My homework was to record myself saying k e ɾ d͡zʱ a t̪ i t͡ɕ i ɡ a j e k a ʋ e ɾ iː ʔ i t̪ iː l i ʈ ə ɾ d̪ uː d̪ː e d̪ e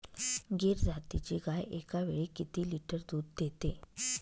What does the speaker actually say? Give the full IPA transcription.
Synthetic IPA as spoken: ɡ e ɾ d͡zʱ a t̪ i t͡ɕ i ɡ a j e k a ʋ e ɭ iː k i t̪ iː l i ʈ ə ɾ d̪ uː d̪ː e t̪ e